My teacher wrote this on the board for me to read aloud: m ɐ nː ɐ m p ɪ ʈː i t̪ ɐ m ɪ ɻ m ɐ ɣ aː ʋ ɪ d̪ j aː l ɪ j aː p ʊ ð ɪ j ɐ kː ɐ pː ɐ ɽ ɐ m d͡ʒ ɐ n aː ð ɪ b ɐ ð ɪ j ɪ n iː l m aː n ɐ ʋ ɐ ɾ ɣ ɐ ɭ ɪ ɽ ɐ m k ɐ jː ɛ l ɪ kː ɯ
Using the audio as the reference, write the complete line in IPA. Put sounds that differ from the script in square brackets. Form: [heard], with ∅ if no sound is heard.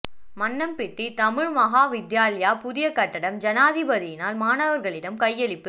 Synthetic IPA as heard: m ɐ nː ɐ m p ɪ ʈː i t̪ ɐ m ɪ ɻ m ɐ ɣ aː ʋ ɪ d̪ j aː l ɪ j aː p ʊ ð ɪ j ɐ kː ɐ [ʈː] ɐ ɽ ɐ m d͡ʒ ɐ n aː ð ɪ b ɐ ð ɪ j ɪ n [aː] l m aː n ɐ ʋ ɐ ɾ ɣ ɐ ɭ ɪ ɽ ɐ m k ɐ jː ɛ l ɪ [pː] ɯ